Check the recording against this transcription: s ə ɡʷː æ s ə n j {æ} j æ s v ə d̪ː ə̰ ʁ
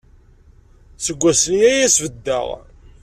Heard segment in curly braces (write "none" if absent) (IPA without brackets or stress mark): æ